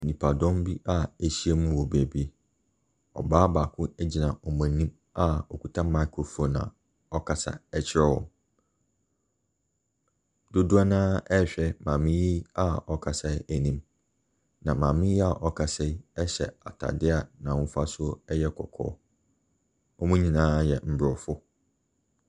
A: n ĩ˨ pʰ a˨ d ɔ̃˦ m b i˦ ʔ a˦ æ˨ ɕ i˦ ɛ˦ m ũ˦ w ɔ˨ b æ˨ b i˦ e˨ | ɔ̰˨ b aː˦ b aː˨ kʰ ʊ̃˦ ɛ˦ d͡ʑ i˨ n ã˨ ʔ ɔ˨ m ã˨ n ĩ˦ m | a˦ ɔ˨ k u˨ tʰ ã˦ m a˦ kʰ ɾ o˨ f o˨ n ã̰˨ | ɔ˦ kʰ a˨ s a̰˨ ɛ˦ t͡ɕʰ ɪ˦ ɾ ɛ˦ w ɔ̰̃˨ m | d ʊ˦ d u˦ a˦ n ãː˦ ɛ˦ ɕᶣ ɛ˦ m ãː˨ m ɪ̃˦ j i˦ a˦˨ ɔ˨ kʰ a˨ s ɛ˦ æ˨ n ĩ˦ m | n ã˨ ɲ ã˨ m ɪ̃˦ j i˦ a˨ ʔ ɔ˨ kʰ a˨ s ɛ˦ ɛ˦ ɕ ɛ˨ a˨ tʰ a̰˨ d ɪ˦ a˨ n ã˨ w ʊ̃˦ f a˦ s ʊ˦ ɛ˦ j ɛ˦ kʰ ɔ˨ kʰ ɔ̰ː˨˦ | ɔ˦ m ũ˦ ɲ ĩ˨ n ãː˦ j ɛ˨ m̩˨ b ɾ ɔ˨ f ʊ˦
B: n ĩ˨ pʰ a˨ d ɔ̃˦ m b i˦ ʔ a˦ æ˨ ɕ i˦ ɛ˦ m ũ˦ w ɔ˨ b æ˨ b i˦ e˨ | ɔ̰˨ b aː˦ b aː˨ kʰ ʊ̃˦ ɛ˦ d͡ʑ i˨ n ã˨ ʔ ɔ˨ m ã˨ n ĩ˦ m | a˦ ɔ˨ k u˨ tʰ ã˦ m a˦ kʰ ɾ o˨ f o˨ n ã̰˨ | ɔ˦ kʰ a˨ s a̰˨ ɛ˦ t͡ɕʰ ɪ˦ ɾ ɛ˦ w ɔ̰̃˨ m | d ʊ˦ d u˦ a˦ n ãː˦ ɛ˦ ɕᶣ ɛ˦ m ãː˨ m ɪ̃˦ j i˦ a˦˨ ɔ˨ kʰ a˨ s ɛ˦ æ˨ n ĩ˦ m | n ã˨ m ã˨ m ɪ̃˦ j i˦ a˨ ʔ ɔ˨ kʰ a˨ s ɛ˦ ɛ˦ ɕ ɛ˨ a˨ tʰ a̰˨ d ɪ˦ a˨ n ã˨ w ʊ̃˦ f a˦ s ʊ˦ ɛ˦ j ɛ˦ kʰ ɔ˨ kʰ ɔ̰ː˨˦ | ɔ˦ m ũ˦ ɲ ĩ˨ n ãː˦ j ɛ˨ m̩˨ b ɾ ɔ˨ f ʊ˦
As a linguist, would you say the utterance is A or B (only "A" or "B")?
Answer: B